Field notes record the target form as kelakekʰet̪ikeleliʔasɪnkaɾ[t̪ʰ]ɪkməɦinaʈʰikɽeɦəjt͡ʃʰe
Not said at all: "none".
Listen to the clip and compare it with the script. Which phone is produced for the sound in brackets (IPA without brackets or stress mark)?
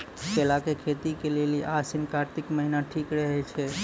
t̪